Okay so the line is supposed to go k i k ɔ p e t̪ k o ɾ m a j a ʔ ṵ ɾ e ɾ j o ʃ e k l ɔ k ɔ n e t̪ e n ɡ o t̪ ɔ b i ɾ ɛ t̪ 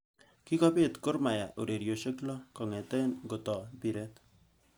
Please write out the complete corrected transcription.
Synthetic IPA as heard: k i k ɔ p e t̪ k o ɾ m a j a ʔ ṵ ɾ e ɾ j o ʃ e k l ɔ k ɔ ŋ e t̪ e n ɡ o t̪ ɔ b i ɾ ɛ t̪